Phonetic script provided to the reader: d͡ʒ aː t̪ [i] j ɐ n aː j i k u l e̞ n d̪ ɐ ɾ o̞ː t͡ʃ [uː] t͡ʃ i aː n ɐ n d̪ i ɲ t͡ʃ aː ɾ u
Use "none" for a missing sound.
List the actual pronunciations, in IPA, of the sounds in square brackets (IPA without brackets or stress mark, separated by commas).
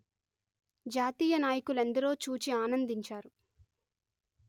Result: iː, uː